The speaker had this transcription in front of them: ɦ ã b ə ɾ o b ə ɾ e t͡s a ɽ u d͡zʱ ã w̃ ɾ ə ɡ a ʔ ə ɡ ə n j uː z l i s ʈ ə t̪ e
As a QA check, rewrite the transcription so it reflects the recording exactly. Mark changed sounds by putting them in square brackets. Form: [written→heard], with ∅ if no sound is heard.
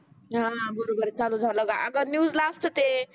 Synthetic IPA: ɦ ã b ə ɾ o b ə ɾ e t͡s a [ɽ→l] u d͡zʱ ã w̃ [ɾ→l] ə ɡ a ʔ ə ɡ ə n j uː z l [i→a] s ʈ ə t̪ e